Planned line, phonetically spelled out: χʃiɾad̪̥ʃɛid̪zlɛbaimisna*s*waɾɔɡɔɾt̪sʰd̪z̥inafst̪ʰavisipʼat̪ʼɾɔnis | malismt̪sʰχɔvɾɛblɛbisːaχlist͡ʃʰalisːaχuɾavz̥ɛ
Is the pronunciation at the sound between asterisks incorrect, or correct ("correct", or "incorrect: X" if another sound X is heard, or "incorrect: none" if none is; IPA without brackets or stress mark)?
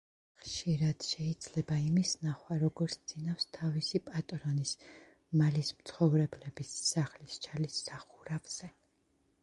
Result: incorrect: χ